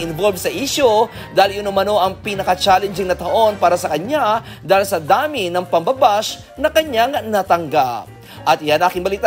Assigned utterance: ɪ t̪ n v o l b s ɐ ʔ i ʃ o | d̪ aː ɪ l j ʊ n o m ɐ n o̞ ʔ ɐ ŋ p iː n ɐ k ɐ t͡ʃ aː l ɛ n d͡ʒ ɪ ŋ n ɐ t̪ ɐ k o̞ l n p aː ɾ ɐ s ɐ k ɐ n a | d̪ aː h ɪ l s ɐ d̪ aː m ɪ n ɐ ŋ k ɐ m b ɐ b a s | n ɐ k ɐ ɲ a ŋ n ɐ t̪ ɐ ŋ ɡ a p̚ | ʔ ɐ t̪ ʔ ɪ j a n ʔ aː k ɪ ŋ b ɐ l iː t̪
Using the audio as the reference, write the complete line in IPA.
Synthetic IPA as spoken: ɪ n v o l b s ɐ ʔ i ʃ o | d̪ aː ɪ l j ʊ n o m ɐ n o̞ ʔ ɐ ŋ p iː n ɐ k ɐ t͡ʃ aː l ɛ n d͡ʒ ɪ ŋ n ɐ t̪ ɐ ʔ o̞ n p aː ɾ ɐ s ɐ k ɐ ɲ a | d̪ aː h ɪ l s ɐ d̪ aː m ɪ n ɐ ŋ p ɐ m b ɐ b a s | n ɐ k ɐ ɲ a ŋ n ɐ t̪ ɐ ŋ ɡ a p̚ | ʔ ɐ t̪ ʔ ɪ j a n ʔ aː k ɪ ŋ b ɐ l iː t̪